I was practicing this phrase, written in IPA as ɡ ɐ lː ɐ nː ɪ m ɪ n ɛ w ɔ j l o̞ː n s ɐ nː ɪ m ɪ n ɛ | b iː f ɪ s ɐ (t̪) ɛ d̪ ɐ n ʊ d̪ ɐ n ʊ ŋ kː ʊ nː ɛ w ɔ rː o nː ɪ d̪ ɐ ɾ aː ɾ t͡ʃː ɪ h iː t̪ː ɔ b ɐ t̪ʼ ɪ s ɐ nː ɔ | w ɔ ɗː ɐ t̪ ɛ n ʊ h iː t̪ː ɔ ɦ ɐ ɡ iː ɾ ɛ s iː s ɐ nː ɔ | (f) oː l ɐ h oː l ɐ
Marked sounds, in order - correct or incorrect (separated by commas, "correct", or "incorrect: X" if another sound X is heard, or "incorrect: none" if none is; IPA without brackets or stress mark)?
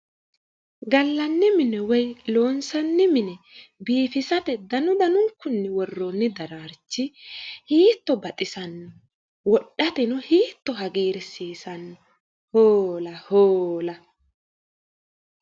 correct, incorrect: h